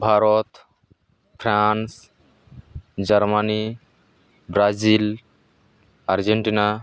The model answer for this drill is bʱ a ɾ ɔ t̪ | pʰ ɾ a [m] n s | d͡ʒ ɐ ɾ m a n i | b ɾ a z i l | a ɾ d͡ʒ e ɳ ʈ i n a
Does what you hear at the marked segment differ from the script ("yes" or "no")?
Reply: yes